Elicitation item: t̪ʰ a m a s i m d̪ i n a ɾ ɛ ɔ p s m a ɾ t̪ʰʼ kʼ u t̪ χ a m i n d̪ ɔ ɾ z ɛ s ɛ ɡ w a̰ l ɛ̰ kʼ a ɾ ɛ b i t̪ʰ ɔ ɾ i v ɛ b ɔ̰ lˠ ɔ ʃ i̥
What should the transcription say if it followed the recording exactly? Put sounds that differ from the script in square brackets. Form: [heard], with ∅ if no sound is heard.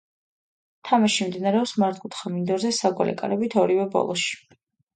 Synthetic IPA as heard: t̪ʰ a m a [ʃ] i m d̪ i n a ɾ ɛ ɔ p s m a ɾ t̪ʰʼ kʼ u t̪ χ a m i n d̪ ɔ ɾ z ɛ s [a] ɡ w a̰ l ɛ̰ kʼ a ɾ ɛ b i t̪ʰ ɔ ɾ i v ɛ b ɔ̰ lˠ ɔ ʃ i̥